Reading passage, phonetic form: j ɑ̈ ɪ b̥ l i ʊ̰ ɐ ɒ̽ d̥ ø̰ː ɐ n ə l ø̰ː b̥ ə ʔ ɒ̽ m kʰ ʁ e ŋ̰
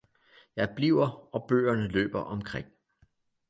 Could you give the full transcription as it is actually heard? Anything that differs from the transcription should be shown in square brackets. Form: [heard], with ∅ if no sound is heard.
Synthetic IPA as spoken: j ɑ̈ ɪ b̥ l i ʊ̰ ɐ ɒ̽ [b̥] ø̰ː ɐ n ə l ø̰ː b̥ [ɐ] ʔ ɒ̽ m kʰ ʁ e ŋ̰